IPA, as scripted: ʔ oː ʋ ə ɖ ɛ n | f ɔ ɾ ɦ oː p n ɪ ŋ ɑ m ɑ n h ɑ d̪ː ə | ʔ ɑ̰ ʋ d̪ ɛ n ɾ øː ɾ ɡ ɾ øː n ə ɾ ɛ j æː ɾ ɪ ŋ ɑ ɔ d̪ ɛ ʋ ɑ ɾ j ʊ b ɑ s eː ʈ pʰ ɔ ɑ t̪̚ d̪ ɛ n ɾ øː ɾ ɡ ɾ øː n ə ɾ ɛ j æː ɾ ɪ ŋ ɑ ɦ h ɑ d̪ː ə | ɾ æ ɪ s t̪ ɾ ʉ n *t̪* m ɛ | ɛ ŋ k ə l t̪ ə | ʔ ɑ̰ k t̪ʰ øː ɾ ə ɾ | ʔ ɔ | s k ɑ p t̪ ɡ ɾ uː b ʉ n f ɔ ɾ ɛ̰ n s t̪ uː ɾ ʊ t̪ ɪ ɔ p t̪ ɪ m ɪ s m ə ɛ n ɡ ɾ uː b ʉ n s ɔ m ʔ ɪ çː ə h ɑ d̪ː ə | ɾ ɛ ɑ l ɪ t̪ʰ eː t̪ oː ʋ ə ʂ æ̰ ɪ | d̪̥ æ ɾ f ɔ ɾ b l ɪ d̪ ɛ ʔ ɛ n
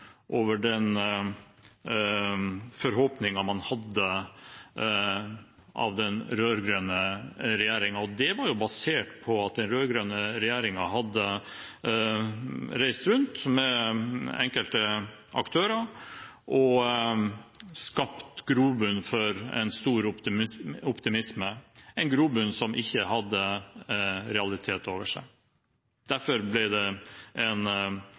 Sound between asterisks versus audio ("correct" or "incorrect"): correct